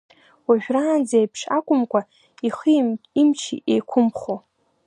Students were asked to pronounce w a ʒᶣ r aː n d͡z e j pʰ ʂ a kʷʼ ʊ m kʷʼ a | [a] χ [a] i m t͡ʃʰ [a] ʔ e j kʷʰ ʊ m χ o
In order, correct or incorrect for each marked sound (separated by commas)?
incorrect, incorrect, incorrect